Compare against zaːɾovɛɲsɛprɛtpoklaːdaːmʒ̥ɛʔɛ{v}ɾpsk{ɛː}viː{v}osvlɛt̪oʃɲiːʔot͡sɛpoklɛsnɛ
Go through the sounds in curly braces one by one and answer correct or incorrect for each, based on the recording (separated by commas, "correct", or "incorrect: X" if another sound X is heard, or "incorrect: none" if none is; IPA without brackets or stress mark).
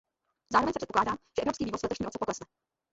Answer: correct, incorrect: iː, correct